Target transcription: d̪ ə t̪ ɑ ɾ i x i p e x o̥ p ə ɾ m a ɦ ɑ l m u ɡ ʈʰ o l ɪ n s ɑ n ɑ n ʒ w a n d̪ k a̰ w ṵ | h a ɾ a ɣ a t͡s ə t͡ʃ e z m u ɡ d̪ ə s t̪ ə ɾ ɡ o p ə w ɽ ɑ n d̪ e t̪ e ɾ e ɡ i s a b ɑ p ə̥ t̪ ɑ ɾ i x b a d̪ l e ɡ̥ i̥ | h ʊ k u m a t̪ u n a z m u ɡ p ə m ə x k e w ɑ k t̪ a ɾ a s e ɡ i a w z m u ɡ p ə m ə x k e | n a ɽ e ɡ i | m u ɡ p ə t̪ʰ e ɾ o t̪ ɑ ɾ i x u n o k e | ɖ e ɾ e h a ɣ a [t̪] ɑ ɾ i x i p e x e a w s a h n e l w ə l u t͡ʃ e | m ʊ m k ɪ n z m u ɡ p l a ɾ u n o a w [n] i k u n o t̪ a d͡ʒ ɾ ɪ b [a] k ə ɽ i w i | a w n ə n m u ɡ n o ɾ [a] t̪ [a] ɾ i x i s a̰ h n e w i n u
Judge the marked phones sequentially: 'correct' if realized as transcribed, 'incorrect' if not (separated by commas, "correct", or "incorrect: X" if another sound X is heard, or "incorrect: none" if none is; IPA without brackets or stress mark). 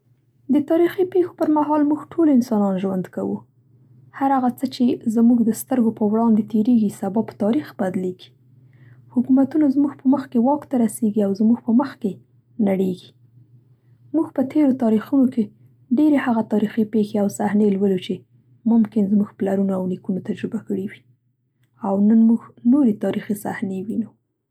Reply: correct, correct, correct, incorrect: e, incorrect: ɑ